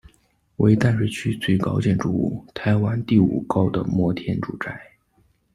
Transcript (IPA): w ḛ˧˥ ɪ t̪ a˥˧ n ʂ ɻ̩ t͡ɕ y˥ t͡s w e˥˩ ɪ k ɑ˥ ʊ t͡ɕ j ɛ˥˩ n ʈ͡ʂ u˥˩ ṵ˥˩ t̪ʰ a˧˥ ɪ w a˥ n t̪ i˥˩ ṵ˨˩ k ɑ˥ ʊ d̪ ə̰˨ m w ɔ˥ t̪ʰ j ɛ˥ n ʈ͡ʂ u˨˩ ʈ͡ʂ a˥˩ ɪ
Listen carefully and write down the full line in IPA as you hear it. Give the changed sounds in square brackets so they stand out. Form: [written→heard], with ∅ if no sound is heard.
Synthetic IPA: w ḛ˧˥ ɪ t̪ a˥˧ n ʂ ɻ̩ [t͡ɕ→t͡ɕʰ] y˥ t͡s w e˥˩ ɪ k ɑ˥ ʊ t͡ɕ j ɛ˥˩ n ʈ͡ʂ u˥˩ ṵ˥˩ t̪ʰ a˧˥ ɪ w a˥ n t̪ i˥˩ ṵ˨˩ k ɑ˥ ʊ d̪ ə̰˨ m w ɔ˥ t̪ʰ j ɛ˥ n ʈ͡ʂ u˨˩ ʈ͡ʂ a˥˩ ɪ